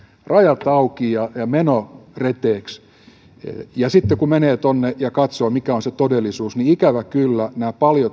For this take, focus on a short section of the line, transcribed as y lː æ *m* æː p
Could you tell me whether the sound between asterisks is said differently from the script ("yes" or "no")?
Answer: yes